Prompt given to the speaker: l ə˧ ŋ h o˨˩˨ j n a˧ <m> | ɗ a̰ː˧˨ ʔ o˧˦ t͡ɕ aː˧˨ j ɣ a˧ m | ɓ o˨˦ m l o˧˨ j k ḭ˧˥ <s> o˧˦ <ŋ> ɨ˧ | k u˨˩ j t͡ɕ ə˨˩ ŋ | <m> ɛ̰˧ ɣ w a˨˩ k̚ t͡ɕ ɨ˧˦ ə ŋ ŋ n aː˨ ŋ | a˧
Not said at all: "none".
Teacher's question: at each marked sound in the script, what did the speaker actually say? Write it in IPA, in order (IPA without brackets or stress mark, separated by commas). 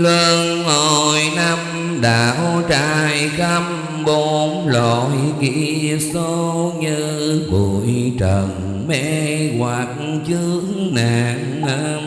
m, s, ɲ, m